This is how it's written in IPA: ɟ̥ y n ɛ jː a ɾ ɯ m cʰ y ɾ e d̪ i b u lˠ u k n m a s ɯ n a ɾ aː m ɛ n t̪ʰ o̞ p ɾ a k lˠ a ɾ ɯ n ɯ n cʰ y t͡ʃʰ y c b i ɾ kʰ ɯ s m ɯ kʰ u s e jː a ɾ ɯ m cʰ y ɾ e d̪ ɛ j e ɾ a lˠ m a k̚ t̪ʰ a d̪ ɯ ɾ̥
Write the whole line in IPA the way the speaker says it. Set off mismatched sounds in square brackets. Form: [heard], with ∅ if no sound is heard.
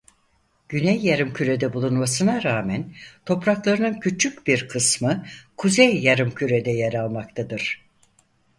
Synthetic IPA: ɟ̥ y n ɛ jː a ɾ ɯ m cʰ y ɾ e d̪ [ɛ] b u lˠ u [∅] n m a s ɯ n a ɾ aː m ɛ n t̪ʰ o̞ p ɾ a k lˠ a ɾ ɯ n ɯ n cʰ y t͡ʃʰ y c b i ɾ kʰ ɯ s m ɯ kʰ u [z] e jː a ɾ ɯ m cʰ y ɾ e d̪ ɛ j e ɾ a lˠ m a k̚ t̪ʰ a d̪ ɯ ɾ̥